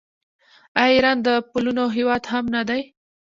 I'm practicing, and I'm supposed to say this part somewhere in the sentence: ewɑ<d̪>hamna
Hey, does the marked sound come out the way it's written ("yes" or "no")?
yes